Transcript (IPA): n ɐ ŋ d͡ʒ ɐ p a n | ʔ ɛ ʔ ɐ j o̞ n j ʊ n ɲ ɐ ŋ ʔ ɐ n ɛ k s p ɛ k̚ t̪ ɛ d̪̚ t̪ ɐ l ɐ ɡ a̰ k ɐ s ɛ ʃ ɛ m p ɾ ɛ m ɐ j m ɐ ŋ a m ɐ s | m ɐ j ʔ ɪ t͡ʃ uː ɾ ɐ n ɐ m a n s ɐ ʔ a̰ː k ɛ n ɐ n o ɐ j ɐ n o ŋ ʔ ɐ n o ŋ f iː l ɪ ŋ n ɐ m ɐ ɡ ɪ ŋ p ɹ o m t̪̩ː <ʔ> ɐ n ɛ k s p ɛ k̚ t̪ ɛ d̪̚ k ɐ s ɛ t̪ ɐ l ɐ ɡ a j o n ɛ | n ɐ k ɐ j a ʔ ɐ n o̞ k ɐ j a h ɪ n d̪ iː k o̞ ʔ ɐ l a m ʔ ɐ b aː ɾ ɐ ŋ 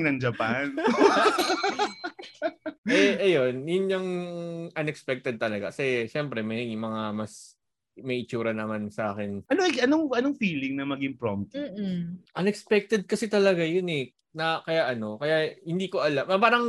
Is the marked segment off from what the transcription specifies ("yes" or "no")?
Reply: no